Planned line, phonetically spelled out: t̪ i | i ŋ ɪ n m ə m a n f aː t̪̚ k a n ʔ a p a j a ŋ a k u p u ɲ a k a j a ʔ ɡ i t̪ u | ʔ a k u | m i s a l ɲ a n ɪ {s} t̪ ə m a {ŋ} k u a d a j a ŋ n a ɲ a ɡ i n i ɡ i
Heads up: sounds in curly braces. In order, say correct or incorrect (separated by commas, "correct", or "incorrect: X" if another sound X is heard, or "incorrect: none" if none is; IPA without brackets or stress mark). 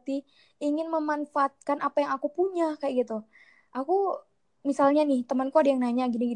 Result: incorrect: h, incorrect: n